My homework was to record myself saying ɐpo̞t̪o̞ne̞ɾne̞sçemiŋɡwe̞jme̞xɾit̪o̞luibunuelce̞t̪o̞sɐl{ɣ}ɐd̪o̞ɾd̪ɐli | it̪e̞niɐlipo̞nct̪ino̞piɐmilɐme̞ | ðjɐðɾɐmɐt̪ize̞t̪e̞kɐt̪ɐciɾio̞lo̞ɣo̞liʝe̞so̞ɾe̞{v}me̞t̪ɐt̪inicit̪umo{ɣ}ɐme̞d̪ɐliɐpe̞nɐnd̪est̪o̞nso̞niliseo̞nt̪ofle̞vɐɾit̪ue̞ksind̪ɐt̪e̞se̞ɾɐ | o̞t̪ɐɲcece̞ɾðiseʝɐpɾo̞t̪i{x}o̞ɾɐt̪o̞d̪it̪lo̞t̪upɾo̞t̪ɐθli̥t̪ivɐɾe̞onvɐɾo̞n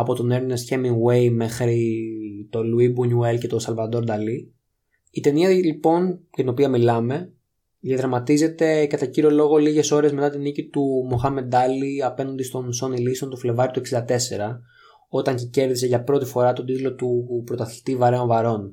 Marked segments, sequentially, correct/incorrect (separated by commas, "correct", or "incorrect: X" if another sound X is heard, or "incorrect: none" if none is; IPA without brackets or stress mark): incorrect: v, incorrect: z, incorrect: x, incorrect: f